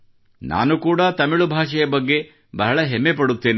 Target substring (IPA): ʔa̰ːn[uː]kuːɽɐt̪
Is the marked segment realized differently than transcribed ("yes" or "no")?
yes